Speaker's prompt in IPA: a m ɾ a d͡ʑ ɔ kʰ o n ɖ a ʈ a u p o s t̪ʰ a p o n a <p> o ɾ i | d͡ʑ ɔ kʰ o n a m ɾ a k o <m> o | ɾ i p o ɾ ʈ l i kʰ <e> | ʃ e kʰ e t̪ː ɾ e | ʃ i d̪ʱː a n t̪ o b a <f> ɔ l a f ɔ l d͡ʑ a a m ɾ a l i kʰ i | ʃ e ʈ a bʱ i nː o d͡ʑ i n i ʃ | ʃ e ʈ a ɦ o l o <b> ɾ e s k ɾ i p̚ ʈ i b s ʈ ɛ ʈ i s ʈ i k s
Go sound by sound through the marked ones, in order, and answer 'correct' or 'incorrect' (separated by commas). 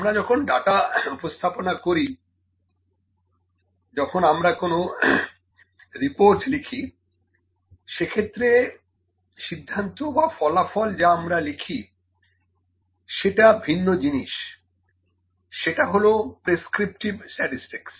incorrect, incorrect, incorrect, correct, incorrect